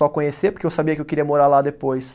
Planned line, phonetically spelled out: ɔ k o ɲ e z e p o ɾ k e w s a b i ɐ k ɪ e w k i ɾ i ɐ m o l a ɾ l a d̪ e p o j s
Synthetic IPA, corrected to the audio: ɔ k õ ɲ e s e p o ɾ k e w s a b i ɐ k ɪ e w k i ɾ i ɐ m o ɾ a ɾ l a d̪ e p o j s